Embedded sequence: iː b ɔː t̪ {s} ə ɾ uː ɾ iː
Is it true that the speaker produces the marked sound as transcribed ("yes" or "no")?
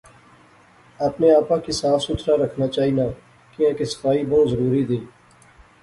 no